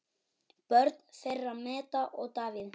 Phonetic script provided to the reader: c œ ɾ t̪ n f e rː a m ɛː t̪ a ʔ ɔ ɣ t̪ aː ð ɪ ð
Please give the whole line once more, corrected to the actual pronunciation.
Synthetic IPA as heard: p œ ɾ t̪ n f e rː a m ɛː t̪ a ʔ ɔ ɣ t̪ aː v ɪ ð